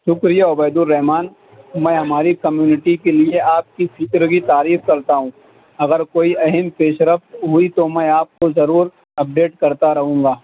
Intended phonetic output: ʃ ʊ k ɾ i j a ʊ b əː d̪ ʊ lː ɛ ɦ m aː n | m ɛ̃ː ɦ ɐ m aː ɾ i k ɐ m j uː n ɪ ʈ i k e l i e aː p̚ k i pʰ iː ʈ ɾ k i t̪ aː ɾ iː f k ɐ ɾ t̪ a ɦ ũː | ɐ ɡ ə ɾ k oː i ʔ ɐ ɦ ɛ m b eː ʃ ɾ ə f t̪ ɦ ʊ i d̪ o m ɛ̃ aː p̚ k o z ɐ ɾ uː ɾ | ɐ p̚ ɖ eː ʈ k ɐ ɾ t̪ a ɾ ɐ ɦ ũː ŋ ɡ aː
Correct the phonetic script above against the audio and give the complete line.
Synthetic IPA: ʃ ʊ k ɾ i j a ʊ b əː d̪ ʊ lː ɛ ɦ m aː n | m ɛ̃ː ɦ ɐ m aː ɾ i k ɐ m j uː n ɪ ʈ i k e l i e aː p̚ k i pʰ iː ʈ ɾ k i t̪ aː ɾ iː f k ɐ ɾ t̪ a ɦ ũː | ɐ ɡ ə ɾ k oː i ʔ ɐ ɦ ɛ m p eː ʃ ɾ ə f t̪ ɦ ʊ i t̪ o m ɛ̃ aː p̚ k o z ɐ ɾ uː ɾ | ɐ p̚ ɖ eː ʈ k ɐ ɾ t̪ a ɾ ɐ ɦ ũː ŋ ɡ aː